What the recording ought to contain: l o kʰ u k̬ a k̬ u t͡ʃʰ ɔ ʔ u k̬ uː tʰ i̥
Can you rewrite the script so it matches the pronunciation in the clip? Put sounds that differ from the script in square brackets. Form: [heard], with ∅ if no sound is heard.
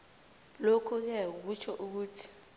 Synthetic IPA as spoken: l o kʰ u k̬ [ɛ] k̬ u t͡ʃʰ ɔ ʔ u k̬ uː tʰ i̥